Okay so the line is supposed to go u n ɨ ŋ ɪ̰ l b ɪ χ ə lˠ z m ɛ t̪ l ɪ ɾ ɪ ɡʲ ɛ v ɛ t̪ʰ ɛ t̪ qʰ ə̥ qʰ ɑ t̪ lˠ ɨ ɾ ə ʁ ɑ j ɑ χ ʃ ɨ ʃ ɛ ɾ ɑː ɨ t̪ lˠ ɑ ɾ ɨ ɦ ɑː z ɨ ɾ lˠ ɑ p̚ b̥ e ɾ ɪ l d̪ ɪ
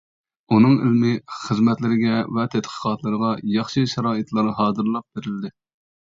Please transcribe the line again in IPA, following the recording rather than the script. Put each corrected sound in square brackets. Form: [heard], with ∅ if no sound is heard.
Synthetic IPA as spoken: u n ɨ ŋ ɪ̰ l [m] ɪ χ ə [∅] z m ɛ t̪ l ɪ ɾ ɪ ɡʲ ɛ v ɛ t̪ʰ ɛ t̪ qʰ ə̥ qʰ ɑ t̪ lˠ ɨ ɾ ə ʁ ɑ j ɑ χ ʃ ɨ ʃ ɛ ɾ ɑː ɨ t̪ lˠ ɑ ɾ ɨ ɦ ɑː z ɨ ɾ lˠ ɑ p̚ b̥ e ɾ ɪ l d̪ ɪ